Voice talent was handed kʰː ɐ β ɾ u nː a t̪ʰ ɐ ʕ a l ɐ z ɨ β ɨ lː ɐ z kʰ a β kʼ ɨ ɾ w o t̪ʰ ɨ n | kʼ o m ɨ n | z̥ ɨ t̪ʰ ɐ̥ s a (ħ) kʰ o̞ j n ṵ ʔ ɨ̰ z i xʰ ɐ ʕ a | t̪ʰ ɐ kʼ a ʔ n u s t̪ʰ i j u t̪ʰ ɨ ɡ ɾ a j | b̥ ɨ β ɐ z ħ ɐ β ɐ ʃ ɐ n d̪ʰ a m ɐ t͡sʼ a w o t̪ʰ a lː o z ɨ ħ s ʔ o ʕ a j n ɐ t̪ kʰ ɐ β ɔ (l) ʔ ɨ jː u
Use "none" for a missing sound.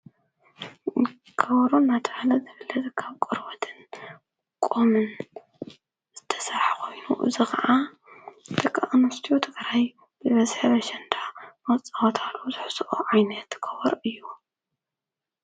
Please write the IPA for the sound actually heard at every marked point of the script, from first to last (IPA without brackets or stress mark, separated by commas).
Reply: ħ, ɾ